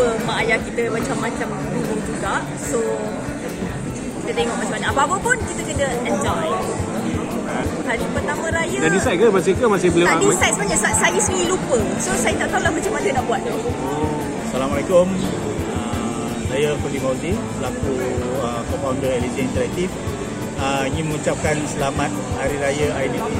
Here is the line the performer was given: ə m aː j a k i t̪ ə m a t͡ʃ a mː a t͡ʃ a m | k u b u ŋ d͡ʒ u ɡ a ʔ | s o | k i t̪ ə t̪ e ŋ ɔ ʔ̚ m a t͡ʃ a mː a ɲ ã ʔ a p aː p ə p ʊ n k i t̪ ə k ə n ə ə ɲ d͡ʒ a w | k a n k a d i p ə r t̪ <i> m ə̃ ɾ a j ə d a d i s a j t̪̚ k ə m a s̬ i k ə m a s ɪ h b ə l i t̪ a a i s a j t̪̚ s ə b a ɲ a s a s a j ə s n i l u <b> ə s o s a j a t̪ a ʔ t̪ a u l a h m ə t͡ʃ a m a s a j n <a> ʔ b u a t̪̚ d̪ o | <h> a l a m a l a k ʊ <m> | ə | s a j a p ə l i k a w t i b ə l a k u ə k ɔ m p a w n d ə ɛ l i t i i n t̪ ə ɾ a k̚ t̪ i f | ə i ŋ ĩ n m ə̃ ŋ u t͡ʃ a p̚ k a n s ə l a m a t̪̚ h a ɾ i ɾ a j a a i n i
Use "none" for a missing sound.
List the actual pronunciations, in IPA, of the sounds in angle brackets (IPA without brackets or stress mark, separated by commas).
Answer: a, p, a, s, m